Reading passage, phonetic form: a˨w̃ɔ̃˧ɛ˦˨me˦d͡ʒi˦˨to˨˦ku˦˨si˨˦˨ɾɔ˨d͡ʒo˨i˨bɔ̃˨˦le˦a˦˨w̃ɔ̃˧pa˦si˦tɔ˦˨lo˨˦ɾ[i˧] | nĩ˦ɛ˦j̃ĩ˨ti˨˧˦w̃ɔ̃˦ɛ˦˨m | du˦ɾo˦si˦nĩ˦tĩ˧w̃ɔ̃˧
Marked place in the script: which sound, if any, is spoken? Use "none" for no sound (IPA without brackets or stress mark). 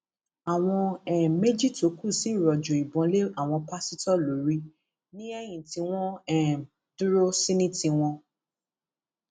i˧